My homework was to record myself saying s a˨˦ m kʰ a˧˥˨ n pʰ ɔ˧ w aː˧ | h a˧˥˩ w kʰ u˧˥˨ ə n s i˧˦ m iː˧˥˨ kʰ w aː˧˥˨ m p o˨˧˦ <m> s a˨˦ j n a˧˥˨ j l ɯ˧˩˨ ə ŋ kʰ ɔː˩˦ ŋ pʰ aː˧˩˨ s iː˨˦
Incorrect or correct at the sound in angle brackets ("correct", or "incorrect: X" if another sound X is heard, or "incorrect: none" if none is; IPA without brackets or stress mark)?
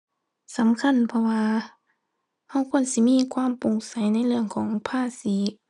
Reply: incorrect: ŋ